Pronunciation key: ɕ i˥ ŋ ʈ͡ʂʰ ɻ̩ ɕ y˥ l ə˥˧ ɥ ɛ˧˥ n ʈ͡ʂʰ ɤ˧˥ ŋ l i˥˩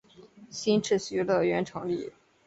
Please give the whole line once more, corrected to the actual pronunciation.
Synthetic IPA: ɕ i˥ n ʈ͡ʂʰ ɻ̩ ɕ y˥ l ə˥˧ ɥ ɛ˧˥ n ʈ͡ʂʰ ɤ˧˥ ŋ l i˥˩